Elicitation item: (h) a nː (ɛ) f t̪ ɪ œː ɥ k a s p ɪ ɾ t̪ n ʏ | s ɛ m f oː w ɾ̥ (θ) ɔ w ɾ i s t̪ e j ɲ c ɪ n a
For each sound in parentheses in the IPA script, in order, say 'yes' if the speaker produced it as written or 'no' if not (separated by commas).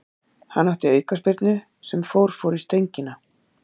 yes, no, no